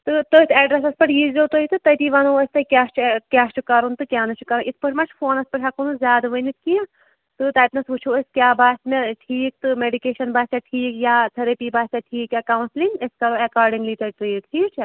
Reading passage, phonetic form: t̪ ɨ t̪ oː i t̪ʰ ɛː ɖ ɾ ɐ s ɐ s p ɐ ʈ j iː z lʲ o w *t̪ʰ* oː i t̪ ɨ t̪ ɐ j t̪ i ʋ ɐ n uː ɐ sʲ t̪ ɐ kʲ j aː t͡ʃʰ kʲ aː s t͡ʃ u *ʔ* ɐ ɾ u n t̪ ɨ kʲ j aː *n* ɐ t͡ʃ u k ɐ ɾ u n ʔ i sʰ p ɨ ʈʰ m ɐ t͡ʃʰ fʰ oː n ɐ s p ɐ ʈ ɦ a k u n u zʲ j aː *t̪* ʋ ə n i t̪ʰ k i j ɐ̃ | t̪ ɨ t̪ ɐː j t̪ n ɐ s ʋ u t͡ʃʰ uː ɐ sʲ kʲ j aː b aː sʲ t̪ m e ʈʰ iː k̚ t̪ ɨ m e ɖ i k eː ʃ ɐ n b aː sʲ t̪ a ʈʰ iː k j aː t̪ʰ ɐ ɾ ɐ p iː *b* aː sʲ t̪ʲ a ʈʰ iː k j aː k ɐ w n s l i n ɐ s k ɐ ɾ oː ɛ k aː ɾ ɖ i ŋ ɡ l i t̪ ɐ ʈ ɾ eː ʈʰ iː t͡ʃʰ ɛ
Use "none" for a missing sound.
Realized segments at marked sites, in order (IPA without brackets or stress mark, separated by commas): t̪, k, n, d̪, b